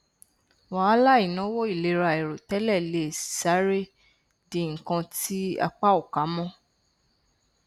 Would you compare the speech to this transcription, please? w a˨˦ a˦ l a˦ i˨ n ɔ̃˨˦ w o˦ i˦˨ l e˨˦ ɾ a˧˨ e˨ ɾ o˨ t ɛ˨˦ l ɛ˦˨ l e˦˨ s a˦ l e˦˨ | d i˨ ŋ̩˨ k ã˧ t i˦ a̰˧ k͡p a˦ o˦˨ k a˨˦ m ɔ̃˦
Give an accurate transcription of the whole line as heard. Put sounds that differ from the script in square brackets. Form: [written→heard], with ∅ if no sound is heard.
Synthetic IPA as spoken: w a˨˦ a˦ l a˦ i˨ n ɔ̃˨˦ w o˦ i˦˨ l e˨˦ ɾ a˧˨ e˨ ɾ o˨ t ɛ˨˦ l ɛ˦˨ l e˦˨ s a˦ [l→ɾ] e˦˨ | d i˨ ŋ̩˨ k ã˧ t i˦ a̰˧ k͡p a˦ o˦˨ k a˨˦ m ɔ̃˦